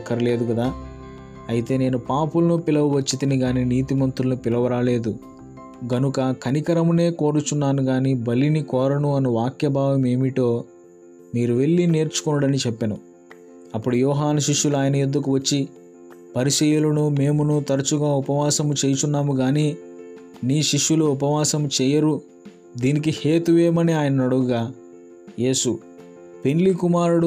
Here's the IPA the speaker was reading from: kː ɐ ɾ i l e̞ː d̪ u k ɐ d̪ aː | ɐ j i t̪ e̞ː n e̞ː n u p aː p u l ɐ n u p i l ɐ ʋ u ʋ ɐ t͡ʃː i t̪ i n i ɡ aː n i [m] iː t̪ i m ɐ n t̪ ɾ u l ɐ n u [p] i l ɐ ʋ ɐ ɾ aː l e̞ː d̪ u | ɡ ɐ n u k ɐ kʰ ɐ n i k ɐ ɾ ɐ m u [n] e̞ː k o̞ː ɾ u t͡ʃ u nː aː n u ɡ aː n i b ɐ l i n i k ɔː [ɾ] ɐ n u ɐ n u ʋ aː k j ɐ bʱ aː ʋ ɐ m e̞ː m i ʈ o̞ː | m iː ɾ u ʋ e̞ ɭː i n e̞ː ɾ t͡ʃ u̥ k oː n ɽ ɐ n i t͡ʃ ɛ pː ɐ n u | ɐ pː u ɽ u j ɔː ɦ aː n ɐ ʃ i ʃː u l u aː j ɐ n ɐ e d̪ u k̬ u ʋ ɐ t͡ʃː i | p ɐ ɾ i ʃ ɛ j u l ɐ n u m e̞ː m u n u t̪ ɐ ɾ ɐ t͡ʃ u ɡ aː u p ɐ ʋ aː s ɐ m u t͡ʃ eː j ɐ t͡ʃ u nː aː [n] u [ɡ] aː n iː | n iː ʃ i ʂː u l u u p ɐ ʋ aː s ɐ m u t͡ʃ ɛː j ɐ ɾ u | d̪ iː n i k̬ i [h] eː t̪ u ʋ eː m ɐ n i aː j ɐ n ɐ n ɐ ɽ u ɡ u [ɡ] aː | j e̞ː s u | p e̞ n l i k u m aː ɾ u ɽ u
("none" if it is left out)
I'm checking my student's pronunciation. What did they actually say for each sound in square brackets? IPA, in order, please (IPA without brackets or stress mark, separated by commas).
n, p, n, ɾ, m, ɡ, h, ɡ